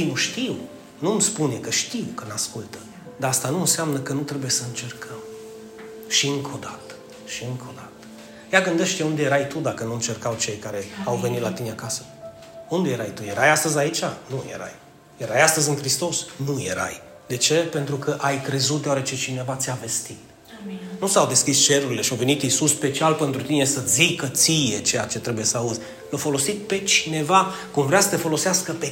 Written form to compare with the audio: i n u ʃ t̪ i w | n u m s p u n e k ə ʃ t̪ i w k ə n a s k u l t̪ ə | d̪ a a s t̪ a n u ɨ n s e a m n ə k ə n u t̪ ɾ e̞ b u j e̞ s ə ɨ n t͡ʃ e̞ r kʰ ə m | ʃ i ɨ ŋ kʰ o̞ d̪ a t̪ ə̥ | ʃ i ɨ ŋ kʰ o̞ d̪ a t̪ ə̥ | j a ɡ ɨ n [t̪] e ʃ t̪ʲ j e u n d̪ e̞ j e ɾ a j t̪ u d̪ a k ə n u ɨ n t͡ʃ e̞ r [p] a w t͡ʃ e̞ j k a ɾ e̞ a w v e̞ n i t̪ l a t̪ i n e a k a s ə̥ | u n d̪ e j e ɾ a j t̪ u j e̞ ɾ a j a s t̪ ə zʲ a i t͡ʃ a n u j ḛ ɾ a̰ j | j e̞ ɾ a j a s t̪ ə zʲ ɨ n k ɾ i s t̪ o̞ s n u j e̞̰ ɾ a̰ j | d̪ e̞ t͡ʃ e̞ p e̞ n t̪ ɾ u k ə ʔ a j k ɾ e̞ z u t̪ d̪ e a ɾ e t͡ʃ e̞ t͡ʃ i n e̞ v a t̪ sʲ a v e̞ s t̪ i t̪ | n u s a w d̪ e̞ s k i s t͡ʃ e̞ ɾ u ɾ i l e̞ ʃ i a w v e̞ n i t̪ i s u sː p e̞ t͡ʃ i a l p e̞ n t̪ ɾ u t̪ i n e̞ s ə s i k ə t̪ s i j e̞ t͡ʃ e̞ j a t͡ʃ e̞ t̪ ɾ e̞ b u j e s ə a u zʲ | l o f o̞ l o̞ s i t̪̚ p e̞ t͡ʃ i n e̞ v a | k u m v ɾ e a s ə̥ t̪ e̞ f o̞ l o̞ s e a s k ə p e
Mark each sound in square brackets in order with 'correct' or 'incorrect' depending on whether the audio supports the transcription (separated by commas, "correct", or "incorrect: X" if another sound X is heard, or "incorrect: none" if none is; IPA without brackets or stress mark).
incorrect: d̪, incorrect: k